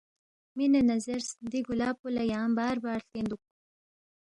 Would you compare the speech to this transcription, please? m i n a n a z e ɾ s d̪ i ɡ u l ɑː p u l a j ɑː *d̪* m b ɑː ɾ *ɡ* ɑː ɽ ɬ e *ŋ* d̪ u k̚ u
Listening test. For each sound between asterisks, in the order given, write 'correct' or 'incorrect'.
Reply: incorrect: none, incorrect: b, incorrect: n

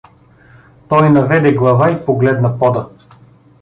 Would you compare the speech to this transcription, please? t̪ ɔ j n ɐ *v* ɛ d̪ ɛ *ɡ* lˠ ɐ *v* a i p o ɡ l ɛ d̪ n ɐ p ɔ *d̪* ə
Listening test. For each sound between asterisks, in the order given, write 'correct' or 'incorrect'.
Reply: correct, correct, correct, correct

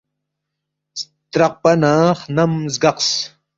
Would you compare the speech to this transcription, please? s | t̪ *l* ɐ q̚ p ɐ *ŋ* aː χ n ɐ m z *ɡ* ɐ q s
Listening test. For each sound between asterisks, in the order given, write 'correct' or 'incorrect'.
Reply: incorrect: ɾ, incorrect: n, correct

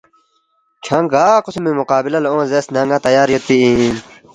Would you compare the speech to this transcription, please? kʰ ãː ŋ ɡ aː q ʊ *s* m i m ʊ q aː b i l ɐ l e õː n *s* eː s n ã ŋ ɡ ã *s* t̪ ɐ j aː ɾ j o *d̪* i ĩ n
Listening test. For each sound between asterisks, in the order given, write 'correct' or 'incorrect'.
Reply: correct, incorrect: z, incorrect: none, incorrect: t̪

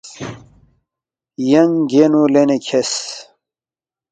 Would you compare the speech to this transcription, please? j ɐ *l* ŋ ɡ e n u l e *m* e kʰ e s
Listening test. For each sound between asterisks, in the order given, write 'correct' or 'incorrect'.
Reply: incorrect: none, incorrect: n

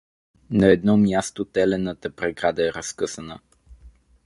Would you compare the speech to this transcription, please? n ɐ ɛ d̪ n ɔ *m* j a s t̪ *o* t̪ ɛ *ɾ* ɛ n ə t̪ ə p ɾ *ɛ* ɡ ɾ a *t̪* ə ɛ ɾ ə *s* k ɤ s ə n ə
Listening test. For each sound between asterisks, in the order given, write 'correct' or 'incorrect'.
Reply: correct, correct, incorrect: l, correct, incorrect: d̪, correct

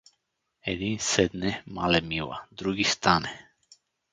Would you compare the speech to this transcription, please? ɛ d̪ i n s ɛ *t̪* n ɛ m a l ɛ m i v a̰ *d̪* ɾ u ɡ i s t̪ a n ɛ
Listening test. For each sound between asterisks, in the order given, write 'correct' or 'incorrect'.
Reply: incorrect: d̪, correct

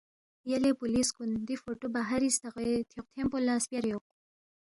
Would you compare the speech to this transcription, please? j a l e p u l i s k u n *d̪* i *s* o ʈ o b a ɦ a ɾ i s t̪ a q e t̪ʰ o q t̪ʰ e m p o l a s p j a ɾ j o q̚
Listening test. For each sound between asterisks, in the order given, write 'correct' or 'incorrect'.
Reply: correct, incorrect: f

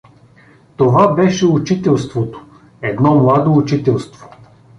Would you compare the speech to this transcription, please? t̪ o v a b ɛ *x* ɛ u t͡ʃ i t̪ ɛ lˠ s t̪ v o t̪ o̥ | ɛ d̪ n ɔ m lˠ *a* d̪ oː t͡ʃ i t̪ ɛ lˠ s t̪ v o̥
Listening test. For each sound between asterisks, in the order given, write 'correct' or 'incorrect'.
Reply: incorrect: ʃ, correct

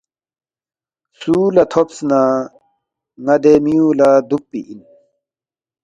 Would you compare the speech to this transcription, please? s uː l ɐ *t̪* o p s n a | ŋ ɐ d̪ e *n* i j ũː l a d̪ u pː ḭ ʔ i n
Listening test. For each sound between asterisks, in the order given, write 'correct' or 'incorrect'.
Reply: incorrect: t̪ʰ, incorrect: m

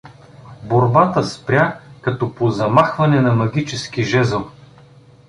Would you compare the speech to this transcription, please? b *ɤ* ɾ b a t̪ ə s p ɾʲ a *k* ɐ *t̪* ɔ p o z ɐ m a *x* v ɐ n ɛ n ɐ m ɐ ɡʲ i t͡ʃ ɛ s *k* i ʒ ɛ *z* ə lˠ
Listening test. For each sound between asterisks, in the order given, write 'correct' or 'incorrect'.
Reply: incorrect: o, correct, correct, correct, correct, correct

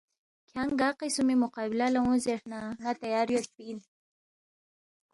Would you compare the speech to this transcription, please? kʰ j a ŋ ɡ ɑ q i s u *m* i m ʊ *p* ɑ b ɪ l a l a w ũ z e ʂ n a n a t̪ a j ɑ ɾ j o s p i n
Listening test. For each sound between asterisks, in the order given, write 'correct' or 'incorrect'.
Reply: correct, incorrect: q

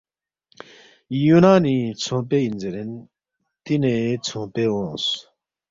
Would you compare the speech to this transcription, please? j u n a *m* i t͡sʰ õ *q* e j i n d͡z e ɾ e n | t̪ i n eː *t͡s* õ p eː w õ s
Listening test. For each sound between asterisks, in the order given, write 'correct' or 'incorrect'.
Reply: incorrect: n, incorrect: p, incorrect: t͡sʰ

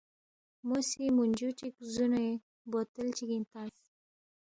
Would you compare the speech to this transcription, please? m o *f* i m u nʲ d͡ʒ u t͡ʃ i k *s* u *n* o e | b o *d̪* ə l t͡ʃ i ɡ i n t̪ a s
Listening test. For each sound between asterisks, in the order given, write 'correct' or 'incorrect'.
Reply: incorrect: s, incorrect: z, correct, incorrect: t̪

